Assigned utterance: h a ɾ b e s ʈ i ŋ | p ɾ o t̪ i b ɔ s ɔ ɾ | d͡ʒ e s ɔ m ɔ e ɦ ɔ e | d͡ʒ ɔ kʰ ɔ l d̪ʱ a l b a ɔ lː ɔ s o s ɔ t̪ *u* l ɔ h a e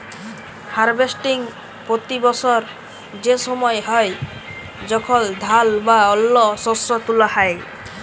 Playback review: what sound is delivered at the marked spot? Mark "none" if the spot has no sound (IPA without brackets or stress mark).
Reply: u